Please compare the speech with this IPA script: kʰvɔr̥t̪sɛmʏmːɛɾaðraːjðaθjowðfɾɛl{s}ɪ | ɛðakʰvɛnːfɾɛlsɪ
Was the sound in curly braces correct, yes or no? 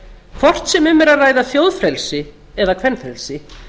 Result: yes